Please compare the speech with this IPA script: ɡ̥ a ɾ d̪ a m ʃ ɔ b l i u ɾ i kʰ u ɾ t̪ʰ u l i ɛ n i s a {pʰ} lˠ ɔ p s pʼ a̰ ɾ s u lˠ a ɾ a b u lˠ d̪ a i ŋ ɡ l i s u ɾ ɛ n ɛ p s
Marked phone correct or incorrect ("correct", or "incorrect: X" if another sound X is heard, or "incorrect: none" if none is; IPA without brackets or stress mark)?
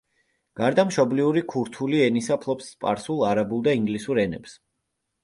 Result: correct